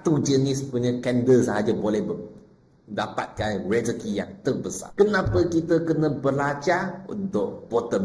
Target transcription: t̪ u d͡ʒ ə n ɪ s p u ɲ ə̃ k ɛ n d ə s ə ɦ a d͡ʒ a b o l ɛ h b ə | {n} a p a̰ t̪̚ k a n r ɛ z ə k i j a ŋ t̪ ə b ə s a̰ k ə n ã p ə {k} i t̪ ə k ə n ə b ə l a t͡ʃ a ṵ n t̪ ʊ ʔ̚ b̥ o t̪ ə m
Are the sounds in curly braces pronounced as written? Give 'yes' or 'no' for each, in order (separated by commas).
no, yes